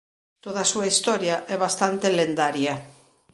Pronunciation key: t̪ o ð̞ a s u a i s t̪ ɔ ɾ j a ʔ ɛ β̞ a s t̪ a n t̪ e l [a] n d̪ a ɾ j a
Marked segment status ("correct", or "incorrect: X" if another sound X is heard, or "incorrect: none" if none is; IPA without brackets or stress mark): incorrect: e